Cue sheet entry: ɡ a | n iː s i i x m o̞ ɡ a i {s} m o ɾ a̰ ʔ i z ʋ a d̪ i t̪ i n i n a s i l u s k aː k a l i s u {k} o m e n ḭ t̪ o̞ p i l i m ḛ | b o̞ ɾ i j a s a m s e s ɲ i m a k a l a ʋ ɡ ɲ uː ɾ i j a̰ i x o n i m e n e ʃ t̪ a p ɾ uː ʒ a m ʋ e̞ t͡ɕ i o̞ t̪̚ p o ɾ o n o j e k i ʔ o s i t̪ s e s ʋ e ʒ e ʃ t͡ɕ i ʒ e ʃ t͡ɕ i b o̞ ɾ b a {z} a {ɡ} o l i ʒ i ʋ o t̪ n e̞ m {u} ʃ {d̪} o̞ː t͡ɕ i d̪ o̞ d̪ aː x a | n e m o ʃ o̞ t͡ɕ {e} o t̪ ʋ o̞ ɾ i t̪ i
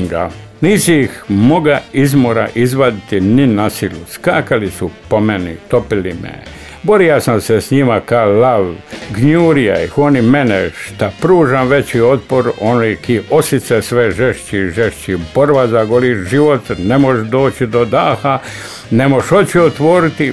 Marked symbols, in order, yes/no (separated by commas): no, no, yes, yes, no, yes, no